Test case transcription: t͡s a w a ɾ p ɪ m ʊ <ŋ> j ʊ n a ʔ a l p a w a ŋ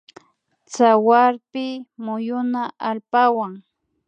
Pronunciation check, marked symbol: incorrect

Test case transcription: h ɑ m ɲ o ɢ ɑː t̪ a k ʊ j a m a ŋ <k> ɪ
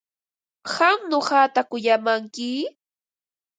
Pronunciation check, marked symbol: correct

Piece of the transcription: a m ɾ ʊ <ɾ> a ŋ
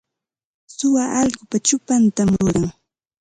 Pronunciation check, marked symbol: correct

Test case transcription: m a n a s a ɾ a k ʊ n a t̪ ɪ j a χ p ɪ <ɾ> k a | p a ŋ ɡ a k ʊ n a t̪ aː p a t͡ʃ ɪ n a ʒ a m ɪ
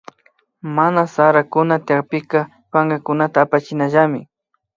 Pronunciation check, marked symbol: incorrect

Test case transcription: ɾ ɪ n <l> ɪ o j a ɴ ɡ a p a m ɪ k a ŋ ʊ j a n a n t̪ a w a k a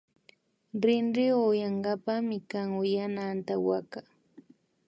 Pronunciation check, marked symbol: incorrect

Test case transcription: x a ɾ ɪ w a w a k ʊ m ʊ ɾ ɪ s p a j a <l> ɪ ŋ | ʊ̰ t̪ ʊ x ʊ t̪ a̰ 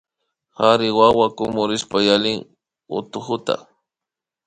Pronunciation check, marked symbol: correct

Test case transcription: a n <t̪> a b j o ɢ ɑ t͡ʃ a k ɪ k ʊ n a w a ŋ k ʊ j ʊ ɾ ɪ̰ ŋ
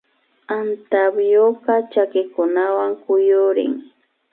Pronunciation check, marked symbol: correct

